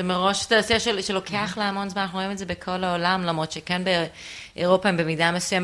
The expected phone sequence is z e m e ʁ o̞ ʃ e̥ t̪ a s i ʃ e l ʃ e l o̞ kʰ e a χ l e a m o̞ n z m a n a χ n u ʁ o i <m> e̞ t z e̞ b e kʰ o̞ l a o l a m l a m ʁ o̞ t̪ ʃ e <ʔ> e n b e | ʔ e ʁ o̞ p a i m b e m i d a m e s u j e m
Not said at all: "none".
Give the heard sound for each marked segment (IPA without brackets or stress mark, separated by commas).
m, k